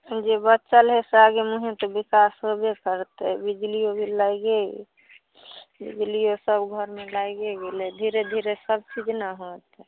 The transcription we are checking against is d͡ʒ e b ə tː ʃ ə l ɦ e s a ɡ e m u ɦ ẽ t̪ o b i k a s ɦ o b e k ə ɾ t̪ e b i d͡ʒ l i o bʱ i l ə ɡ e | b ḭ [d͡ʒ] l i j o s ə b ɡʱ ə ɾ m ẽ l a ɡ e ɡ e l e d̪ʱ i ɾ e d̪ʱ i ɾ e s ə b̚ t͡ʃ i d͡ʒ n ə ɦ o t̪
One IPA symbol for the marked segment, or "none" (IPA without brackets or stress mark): d͡ʒ